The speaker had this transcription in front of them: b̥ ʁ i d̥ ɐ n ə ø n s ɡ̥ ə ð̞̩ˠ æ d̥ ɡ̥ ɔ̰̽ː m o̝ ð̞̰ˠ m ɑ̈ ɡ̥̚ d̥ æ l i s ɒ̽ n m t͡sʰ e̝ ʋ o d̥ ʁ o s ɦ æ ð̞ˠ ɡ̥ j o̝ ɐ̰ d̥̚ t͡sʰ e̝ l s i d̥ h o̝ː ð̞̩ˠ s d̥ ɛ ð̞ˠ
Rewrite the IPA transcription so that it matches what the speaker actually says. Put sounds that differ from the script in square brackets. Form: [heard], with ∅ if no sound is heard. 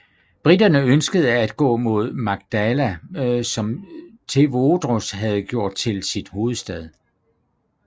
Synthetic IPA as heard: b̥ ʁ i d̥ ɐ n ə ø n s ɡ̥ ə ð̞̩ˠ æ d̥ ɡ̥ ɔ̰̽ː m o̝ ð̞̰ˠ m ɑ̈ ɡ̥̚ d̥ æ l [æ] s ɒ̽ [∅] m t͡sʰ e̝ ʋ o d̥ ʁ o s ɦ æ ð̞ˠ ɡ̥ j o̝ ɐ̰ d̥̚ t͡sʰ e̝ l s i d̥ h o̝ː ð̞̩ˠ s d̥ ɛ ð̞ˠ